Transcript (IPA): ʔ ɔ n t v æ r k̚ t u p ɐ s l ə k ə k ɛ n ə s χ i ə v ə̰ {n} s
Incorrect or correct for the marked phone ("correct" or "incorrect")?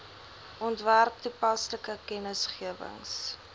incorrect